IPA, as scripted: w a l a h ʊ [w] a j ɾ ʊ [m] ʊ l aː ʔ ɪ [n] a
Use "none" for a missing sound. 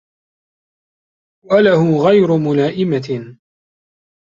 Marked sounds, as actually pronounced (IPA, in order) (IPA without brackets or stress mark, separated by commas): ɣ, m, m